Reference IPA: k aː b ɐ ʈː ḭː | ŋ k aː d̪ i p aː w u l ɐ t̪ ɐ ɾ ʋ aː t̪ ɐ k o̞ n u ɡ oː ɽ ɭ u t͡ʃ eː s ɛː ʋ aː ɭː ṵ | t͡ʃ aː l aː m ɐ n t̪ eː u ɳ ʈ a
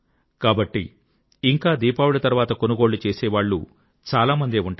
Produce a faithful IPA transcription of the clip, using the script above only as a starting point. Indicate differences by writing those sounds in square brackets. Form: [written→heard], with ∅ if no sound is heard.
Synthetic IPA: k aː b ɐ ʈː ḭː | ŋ k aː d̪ [i→iː] p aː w u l ɐ t̪ ɐ ɾ ʋ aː t̪ ɐ k o̞ n u ɡ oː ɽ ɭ u t͡ʃ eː s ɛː ʋ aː ɭː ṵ | t͡ʃ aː l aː m ɐ n [t̪→d̪] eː u ɳ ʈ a